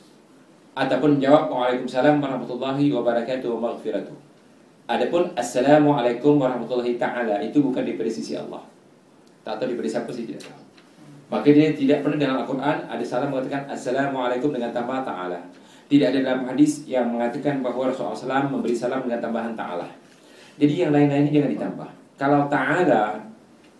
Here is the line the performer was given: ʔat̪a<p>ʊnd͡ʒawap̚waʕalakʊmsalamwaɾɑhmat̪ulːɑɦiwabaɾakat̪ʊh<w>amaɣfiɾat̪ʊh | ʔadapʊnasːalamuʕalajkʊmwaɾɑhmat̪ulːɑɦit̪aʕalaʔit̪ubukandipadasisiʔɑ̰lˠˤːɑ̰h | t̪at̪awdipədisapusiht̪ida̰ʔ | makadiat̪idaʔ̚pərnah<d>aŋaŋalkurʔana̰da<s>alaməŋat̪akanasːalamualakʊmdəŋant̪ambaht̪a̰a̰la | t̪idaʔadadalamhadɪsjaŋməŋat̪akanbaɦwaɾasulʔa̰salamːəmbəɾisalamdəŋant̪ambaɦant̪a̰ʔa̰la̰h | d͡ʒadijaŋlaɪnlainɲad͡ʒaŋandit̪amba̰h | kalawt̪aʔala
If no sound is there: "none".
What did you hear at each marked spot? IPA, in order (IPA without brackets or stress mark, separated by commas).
p, w, d, s